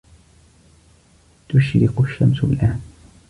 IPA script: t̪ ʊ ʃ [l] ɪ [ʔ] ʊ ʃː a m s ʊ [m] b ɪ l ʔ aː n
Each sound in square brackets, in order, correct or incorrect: incorrect, incorrect, incorrect

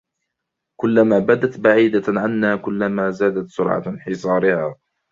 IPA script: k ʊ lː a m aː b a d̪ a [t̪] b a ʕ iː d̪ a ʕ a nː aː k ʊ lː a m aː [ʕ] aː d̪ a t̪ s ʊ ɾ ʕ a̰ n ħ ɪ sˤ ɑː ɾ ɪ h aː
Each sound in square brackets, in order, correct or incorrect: correct, incorrect

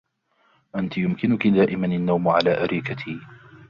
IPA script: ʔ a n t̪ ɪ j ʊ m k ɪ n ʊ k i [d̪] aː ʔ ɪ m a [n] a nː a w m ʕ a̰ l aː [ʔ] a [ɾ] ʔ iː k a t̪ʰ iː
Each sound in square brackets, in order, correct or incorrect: correct, correct, correct, correct

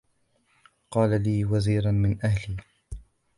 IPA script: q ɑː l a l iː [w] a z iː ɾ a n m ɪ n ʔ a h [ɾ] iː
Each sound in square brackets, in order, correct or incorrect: correct, incorrect

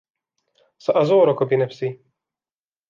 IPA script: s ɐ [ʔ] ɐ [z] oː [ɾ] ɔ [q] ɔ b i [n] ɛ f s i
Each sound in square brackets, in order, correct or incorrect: correct, correct, correct, incorrect, correct

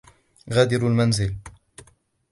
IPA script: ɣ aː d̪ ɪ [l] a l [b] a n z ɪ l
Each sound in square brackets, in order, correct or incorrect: incorrect, incorrect

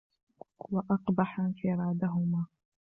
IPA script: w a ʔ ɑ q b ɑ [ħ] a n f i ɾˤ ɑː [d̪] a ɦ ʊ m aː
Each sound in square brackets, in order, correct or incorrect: correct, correct

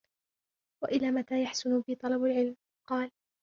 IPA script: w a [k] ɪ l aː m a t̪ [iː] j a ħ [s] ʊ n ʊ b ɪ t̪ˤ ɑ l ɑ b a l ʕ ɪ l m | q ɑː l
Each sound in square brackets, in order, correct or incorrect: incorrect, incorrect, correct

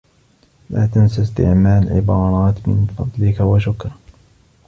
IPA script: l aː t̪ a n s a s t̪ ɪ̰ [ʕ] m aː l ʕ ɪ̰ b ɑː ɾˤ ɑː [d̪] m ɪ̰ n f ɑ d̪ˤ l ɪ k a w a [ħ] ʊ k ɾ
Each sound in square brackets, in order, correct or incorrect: correct, incorrect, incorrect

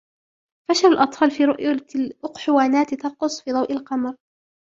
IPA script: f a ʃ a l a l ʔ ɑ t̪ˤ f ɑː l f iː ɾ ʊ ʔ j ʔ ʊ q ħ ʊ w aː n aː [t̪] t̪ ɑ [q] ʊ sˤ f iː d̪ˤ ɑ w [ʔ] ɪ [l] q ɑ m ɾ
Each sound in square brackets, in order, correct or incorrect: correct, correct, correct, correct

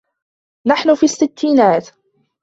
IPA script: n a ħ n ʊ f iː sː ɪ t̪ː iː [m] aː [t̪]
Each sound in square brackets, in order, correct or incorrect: incorrect, correct

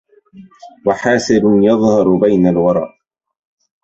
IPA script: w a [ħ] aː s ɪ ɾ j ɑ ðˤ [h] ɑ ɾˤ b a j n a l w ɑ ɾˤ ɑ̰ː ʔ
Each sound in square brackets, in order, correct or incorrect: correct, correct

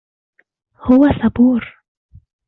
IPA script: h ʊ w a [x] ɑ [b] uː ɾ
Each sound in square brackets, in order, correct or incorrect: incorrect, correct

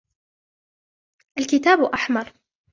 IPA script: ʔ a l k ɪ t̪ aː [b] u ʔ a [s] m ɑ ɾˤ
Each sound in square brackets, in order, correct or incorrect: correct, incorrect

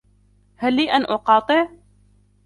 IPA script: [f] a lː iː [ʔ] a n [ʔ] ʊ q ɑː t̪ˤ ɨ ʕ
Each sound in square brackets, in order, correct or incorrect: incorrect, correct, correct

